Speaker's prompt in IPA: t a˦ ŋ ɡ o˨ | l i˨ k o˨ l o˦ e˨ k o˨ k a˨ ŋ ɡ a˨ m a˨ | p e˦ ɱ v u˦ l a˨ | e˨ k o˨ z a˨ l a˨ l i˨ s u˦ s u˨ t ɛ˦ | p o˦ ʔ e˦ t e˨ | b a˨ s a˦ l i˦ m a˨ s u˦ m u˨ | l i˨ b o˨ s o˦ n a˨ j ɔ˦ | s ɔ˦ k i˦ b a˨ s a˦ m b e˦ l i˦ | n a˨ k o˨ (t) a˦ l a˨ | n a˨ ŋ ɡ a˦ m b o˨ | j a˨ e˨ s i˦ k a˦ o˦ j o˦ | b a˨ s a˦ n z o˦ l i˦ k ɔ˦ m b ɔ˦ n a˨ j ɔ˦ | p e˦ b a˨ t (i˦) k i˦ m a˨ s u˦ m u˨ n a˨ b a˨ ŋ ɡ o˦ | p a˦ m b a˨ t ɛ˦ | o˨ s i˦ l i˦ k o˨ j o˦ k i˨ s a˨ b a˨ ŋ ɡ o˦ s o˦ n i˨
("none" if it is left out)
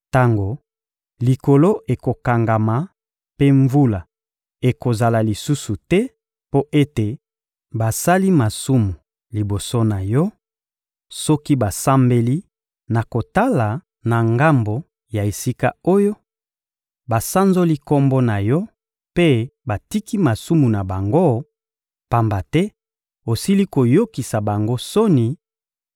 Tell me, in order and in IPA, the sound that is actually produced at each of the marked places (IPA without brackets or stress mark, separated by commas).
t, i˦